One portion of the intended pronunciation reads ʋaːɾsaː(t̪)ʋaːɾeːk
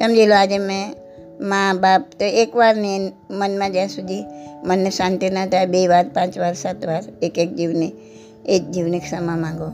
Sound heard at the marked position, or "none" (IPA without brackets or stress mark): t̪